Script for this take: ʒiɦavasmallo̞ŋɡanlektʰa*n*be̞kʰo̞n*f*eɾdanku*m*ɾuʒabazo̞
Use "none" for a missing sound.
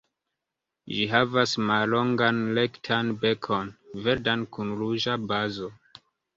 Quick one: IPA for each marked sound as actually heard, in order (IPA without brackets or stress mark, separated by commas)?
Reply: n, v, n